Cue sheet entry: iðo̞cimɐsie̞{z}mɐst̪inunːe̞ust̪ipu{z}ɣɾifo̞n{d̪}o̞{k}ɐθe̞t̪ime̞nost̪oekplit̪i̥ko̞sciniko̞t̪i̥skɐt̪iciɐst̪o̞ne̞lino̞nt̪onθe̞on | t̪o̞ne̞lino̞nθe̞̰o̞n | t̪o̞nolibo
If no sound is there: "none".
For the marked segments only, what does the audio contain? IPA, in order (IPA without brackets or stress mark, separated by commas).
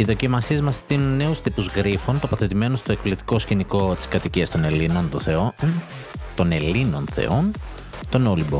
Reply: z, z, t̪, p